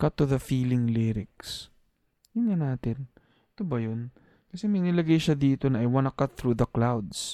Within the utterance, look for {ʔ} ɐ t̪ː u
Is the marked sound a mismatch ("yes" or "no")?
yes